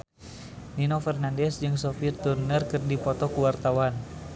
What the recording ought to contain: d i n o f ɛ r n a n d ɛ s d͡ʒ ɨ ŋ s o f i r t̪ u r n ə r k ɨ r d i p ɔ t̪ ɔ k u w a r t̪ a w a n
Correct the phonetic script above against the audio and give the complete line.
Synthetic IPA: n i n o f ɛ r n a n d ɛ s d͡ʒ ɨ ŋ s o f i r t̪ u r n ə r k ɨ r d i p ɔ t̪ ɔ k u w a r t̪ a w a n